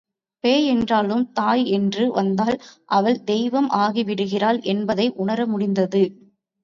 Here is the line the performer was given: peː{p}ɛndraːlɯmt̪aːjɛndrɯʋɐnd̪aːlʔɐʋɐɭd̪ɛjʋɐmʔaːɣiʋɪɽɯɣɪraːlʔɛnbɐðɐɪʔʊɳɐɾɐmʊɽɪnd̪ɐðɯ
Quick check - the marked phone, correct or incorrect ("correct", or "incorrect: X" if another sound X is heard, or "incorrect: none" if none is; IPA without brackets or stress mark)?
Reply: incorrect: none